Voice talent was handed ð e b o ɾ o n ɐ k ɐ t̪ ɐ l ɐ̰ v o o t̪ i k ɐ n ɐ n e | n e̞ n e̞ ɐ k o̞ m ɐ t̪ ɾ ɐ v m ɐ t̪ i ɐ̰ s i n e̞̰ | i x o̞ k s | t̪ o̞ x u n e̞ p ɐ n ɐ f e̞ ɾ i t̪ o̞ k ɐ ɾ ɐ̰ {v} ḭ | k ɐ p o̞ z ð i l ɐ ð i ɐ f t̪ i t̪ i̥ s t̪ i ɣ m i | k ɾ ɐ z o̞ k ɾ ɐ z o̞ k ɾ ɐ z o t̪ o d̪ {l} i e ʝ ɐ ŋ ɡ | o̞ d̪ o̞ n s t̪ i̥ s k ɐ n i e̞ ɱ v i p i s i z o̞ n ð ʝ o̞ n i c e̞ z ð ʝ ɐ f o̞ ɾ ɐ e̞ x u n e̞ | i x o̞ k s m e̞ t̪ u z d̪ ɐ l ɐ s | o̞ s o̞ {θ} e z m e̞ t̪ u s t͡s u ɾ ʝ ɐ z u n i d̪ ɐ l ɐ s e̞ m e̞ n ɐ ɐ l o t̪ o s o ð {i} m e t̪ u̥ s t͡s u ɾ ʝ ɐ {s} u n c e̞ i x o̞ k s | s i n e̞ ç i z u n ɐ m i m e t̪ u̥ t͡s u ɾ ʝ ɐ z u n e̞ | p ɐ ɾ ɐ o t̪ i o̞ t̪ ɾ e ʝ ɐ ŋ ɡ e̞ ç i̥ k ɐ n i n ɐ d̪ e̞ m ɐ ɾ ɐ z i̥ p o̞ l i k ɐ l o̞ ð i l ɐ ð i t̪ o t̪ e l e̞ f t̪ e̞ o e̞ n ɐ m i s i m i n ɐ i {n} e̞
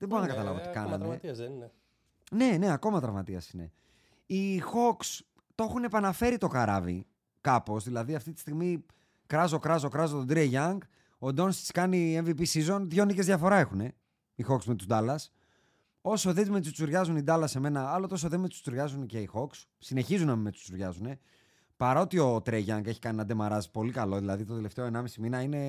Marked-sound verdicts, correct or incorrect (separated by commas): correct, incorrect, incorrect, incorrect, incorrect, correct